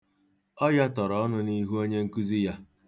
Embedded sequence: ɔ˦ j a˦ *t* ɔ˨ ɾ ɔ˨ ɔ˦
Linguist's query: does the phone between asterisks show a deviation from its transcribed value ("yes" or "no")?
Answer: no